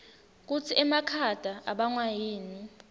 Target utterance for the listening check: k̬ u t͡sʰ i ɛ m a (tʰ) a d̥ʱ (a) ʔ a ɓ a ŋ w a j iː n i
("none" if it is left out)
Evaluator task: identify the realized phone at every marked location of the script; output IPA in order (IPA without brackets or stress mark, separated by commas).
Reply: kʰ, a